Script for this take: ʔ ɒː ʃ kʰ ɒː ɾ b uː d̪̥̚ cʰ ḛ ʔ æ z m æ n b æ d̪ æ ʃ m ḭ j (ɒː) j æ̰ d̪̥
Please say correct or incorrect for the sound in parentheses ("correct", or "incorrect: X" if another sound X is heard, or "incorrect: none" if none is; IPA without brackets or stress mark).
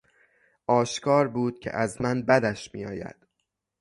correct